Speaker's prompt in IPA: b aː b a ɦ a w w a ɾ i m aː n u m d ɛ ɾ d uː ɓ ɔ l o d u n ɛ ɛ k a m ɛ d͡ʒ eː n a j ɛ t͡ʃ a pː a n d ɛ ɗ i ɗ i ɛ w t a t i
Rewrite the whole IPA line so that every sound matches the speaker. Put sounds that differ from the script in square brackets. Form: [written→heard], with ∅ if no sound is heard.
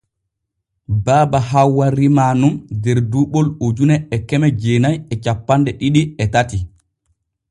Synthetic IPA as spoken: b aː b a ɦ a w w a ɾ i m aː n u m d ɛ ɾ d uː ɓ ɔ l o [d→d͡ʒ] u n ɛ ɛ k [a→ɛ] m ɛ d͡ʒ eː n a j ɛ t͡ʃ a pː a n d ɛ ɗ i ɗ i ɛ [w→∅] t a t i